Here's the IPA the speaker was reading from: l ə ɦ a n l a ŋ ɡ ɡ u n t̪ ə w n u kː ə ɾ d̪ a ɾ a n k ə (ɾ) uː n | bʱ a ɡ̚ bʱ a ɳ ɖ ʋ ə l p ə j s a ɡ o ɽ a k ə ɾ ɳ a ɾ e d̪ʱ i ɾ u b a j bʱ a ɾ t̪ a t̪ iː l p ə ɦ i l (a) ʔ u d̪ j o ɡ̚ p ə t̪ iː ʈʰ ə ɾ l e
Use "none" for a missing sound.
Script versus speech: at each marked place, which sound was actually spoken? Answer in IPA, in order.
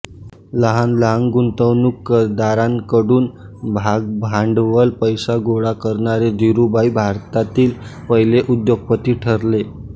ɽ, e

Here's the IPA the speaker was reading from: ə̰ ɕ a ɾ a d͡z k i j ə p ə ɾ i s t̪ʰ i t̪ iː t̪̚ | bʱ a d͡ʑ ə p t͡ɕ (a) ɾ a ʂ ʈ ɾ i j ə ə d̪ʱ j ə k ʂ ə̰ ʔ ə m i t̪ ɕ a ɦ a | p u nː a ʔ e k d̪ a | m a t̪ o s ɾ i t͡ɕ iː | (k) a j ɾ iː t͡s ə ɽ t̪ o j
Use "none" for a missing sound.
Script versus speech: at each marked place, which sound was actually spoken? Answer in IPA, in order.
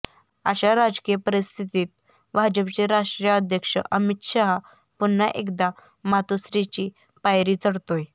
e, p

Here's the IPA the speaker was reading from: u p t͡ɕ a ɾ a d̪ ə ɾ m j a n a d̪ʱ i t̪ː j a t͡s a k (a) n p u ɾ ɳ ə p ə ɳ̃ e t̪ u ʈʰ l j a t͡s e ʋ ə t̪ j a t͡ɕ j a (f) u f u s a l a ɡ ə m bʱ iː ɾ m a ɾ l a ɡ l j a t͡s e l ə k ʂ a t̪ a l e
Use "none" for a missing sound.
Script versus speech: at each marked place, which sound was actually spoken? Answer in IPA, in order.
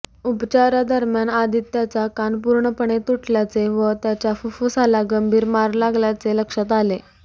a, f

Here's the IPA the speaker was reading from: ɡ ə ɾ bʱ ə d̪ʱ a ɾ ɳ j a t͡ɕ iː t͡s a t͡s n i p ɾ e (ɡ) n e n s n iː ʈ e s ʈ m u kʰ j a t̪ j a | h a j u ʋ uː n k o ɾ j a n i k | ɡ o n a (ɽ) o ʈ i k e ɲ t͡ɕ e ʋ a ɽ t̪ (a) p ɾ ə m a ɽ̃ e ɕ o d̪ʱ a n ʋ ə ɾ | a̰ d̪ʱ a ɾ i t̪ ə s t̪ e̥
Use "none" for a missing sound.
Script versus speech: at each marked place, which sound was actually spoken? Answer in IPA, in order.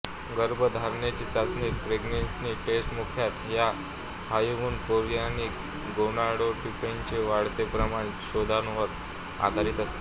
ɡ, ɽ, e

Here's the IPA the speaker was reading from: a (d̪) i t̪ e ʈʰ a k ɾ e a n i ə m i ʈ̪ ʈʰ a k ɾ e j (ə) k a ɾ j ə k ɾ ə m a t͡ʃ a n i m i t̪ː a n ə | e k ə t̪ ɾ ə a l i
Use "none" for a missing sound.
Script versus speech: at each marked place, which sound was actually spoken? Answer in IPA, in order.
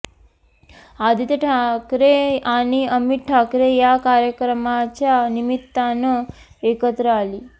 d̪, a

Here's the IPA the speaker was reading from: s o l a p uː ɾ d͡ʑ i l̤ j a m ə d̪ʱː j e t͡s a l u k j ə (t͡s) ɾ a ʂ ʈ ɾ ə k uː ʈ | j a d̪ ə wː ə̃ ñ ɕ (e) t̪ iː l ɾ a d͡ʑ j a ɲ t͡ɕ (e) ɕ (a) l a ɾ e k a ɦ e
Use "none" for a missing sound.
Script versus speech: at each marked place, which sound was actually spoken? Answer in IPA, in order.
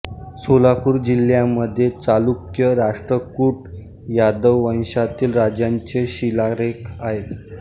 none, a, e, i

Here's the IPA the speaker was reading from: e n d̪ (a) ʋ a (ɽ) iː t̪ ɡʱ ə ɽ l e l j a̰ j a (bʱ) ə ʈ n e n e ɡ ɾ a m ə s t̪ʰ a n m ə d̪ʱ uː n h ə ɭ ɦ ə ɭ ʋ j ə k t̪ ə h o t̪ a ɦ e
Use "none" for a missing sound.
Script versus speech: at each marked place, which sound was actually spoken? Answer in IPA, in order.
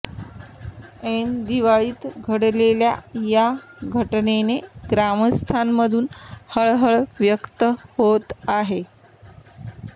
i, ɭ, ɡʱ

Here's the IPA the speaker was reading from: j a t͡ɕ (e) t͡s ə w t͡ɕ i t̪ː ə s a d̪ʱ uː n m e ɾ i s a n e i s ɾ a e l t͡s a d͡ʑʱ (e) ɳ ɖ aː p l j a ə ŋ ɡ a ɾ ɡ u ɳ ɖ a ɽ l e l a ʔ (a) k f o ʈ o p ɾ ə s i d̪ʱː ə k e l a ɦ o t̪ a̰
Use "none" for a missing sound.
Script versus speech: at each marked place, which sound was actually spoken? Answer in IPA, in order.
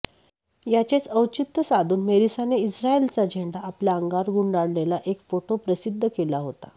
e, e, e

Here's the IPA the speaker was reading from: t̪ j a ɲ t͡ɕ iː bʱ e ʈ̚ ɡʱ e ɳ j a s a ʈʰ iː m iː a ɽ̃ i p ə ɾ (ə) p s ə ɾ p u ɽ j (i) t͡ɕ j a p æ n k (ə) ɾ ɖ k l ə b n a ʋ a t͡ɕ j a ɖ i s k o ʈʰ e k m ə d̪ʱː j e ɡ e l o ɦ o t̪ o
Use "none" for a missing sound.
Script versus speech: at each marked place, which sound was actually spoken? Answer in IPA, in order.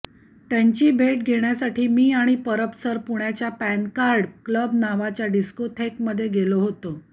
ə, a, a

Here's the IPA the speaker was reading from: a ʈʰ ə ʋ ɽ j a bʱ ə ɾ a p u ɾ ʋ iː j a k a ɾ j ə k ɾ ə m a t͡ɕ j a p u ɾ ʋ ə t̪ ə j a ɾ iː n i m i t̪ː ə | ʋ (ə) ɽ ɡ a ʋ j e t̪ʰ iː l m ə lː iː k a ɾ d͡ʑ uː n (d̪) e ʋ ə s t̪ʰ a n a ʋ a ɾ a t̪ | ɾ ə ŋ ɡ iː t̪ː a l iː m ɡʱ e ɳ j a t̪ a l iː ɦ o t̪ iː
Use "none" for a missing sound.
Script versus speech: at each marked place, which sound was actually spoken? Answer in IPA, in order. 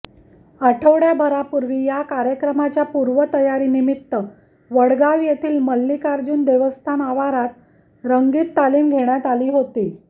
ə, d̪

